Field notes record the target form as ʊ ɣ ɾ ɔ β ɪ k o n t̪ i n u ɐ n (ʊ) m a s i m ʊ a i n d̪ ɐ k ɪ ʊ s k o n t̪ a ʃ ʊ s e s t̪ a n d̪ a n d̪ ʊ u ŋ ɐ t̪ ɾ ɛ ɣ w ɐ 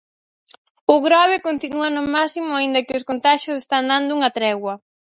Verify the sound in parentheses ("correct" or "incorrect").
correct